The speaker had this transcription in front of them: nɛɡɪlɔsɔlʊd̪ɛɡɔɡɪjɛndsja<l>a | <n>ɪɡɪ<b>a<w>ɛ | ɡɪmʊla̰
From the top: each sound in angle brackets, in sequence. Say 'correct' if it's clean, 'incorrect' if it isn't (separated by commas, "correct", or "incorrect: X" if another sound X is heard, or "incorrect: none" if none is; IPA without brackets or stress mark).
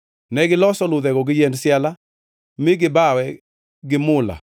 correct, incorrect: m, correct, correct